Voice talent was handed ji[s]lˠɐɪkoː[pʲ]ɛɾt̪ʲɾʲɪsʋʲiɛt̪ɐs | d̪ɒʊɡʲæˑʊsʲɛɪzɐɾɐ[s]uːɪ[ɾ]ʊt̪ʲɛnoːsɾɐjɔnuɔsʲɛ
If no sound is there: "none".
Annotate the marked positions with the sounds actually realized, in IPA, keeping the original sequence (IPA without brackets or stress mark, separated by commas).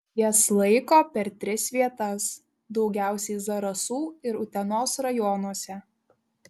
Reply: s, pʲ, s, ɾ